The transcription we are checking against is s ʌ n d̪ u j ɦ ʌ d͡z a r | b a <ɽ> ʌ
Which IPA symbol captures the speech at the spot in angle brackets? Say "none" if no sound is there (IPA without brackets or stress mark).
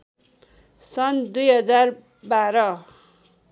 ɾ